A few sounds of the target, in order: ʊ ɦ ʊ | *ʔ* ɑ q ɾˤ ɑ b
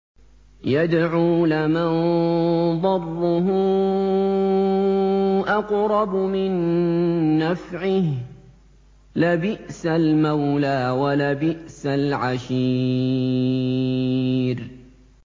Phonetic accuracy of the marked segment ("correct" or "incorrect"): correct